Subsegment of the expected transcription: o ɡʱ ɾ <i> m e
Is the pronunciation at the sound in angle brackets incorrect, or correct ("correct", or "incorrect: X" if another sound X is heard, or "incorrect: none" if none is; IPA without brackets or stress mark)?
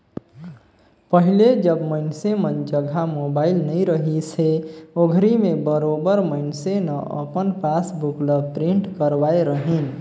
correct